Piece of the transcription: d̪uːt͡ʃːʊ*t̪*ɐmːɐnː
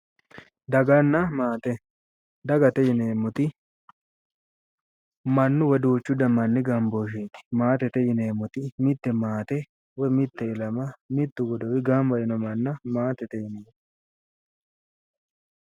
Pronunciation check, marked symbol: incorrect: d̪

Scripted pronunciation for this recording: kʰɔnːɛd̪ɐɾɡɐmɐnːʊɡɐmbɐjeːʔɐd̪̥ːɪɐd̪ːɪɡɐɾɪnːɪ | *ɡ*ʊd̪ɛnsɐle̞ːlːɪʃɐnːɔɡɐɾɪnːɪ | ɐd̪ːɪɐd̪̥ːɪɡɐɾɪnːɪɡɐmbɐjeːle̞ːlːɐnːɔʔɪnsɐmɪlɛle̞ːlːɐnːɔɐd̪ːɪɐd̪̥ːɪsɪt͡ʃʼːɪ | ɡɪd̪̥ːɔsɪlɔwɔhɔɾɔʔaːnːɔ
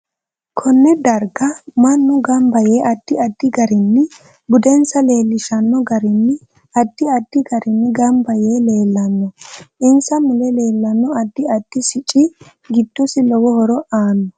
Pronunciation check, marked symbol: incorrect: b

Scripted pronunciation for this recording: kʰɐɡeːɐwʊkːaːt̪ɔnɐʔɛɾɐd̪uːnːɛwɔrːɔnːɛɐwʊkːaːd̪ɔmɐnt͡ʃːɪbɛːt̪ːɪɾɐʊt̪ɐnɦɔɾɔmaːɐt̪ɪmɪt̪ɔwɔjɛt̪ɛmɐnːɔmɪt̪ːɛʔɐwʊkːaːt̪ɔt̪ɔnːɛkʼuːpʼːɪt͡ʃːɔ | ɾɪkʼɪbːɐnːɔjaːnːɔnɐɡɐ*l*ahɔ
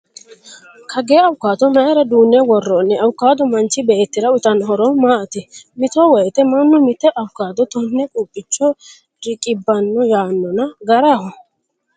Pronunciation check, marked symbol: incorrect: ɾ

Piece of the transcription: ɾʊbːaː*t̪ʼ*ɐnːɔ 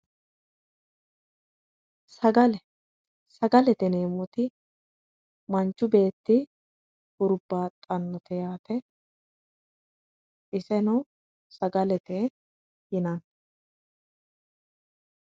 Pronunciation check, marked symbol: correct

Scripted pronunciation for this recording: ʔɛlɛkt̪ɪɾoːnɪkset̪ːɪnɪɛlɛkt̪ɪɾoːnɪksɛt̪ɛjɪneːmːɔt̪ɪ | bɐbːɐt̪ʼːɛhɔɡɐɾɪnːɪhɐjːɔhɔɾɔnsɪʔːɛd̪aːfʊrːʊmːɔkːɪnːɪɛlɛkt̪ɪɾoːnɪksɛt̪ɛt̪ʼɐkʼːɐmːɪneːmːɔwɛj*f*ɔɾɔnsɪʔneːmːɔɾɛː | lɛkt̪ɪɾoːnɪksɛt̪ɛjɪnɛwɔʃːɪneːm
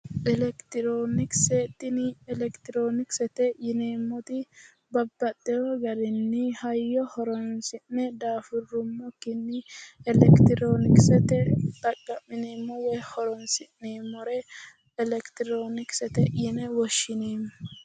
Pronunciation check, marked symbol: incorrect: h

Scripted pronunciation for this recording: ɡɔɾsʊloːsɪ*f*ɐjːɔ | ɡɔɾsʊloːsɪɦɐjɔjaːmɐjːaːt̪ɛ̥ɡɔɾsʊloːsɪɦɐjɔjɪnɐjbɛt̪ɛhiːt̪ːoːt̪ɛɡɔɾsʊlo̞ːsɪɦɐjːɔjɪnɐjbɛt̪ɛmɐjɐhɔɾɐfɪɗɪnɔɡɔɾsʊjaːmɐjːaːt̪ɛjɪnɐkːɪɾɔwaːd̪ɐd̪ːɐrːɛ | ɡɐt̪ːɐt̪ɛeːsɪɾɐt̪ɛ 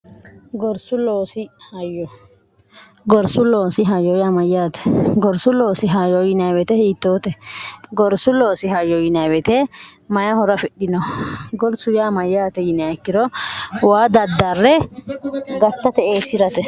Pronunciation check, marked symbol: incorrect: h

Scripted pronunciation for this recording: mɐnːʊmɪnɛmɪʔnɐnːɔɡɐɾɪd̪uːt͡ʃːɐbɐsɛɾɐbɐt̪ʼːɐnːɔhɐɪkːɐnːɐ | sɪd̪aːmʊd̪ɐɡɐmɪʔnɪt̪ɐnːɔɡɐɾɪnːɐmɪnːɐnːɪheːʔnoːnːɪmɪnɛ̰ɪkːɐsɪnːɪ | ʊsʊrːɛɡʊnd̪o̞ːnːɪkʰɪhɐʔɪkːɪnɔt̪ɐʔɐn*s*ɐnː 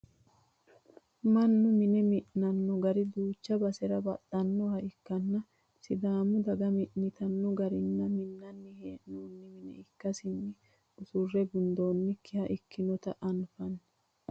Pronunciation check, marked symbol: incorrect: f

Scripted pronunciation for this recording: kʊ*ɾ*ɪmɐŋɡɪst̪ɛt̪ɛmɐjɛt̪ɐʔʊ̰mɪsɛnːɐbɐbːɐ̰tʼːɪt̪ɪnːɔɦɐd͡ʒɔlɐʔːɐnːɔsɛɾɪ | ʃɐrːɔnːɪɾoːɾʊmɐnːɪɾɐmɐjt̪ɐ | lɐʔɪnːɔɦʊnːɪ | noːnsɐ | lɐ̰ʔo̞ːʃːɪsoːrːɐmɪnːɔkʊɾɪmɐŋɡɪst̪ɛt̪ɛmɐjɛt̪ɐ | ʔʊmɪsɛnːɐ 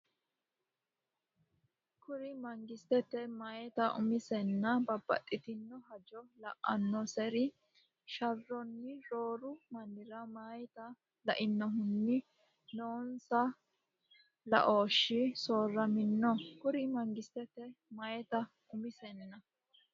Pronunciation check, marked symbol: correct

